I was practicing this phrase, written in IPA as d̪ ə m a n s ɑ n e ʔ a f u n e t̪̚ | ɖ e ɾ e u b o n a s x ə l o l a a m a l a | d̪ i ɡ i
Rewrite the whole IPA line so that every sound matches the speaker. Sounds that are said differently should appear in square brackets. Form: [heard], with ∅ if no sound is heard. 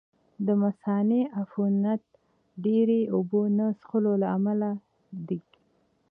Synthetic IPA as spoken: d̪ ə m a [∅] s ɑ n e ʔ a f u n [a] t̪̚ | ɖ e ɾ e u b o n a s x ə l o l a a m a l a | d̪ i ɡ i